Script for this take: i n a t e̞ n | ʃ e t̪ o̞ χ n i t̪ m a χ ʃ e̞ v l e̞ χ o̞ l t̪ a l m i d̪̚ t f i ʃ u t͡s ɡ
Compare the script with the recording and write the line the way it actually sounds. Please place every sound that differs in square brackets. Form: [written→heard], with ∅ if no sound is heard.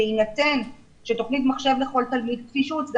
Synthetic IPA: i n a t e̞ n | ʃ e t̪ o̞ χ n i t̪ m a χ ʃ e̞ v l e̞ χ o̞ l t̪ a l m i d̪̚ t f i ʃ u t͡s ɡ